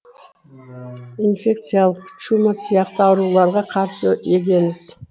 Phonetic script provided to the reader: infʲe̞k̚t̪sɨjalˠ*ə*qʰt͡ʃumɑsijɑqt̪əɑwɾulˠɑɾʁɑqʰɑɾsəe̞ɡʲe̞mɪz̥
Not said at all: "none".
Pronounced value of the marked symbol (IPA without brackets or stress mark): ə